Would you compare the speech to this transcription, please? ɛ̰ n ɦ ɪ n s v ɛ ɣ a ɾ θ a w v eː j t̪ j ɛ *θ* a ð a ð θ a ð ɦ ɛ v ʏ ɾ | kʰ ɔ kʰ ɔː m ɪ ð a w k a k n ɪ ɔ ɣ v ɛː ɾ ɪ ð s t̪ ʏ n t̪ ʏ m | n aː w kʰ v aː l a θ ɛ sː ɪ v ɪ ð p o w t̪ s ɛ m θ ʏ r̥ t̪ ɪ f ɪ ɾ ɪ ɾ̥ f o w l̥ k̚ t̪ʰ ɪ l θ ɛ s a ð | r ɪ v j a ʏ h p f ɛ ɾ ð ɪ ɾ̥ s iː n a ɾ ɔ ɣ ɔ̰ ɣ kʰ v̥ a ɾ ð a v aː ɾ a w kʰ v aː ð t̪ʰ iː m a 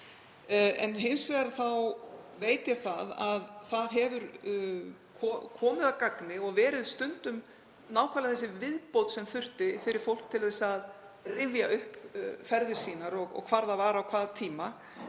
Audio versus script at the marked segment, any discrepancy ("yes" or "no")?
no